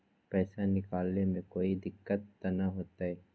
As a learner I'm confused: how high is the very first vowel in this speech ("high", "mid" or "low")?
mid